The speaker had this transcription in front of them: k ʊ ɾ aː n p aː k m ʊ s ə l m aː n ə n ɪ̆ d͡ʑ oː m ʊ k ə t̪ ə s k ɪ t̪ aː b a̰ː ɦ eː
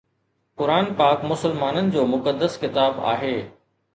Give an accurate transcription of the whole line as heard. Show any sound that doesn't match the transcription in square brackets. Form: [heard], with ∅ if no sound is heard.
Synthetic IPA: k ʊ ɾ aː n p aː k m ʊ s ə l m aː n ə n ɪ̆ d͡ʑ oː m ʊ k ə [d̪] ə s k ɪ t̪ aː b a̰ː ɦ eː

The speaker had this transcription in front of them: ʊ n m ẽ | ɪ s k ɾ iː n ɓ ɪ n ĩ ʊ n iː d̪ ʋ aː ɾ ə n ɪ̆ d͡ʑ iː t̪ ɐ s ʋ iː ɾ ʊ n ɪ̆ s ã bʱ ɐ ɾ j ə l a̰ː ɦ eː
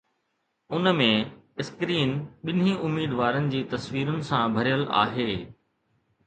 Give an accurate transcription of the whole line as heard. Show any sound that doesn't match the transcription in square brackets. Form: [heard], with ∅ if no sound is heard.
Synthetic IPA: ʊ n m ẽ | ɪ s k ɾ iː n ɓ ɪ n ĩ ʊ [m] iː d̪ ʋ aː ɾ ə n ɪ̆ d͡ʑ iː t̪ ɐ s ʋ iː ɾ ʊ n ɪ̆ s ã bʱ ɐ ɾ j ə l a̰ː ɦ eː

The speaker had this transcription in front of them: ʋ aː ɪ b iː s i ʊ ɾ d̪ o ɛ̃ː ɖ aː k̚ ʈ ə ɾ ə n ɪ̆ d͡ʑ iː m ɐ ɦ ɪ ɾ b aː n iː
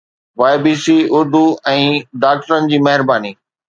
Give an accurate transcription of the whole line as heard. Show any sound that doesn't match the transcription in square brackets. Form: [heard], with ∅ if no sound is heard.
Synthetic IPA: ʋ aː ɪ b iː s i ʊ ɾ d̪ [u] ɛ̃ː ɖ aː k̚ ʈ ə ɾ ə n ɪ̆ d͡ʑ iː m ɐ ɦ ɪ ɾ b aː n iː

